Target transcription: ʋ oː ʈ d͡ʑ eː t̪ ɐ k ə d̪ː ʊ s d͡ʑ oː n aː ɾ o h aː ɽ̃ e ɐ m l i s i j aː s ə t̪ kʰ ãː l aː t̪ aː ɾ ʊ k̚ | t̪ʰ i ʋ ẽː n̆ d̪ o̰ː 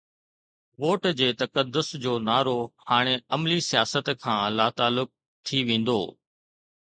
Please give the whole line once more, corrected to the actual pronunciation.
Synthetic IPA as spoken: ʋ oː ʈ d͡ʑ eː t̪ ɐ k ə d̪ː ʊ s d͡ʑ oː n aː ɾ o h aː ɽ̃ e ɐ m l i s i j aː s ə t̪ kʰ ãː l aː t̪ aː l ʊ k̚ | t̪ʰ i ʋ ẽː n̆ d̪ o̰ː